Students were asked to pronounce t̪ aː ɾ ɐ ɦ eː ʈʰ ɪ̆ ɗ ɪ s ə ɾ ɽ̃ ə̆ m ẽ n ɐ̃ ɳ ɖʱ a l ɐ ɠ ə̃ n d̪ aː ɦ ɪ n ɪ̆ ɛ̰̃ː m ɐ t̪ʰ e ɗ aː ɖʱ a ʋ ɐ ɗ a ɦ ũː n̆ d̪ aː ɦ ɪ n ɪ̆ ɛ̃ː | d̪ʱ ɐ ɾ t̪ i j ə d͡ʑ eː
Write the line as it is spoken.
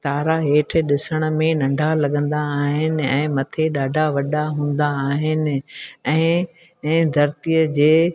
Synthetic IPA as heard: t̪ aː ɾ a ɦ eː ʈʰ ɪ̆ ɗ ɪ s ə ɽ̃ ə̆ m ẽ n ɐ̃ ɳ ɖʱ a l ɐ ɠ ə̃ n d̪ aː ɦ ɪ n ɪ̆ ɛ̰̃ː m ɐ t̪ʰ e ɗ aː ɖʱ a ʋ ɐ ɗ a ɦ ũː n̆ d̪ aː ɦ ɪ n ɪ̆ ɛ̃ː | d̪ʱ ɐ ɾ t̪ i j ə d͡ʑ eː